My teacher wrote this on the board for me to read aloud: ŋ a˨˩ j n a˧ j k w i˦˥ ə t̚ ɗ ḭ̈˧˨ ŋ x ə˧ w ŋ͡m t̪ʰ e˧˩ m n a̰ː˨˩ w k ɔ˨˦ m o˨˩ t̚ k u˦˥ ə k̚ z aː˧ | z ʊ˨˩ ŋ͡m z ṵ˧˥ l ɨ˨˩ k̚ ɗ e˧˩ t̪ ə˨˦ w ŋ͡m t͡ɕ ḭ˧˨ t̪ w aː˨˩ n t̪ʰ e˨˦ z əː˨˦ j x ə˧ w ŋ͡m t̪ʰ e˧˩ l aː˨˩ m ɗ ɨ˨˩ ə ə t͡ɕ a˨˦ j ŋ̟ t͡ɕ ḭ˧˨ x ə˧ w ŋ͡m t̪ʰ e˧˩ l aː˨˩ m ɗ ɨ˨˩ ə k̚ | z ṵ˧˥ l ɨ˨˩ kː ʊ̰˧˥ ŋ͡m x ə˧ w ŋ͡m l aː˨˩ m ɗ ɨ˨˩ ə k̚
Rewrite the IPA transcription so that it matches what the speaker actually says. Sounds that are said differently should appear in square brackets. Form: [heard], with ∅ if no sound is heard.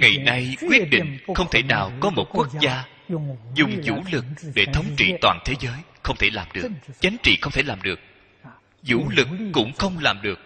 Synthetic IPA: ŋ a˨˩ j n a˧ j k w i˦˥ ə t̚ ɗ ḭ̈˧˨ ŋ x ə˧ w ŋ͡m t̪ʰ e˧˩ [∅] n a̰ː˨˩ w k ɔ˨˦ m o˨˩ t̚ k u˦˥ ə k̚ z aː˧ | z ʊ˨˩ ŋ͡m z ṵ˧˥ l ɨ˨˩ k̚ ɗ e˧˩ [t̪ʰ] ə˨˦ w ŋ͡m t͡ɕ ḭ˧˨ t̪ w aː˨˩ n t̪ʰ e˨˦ z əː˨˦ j x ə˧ w ŋ͡m t̪ʰ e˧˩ l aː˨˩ m ɗ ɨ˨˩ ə ə t͡ɕ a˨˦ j ŋ̟ t͡ɕ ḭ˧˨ x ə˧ w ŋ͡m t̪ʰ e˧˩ l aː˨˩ m ɗ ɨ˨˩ ə k̚ | z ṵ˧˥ l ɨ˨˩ kː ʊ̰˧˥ ŋ͡m x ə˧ w ŋ͡m l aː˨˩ m ɗ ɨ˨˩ ə k̚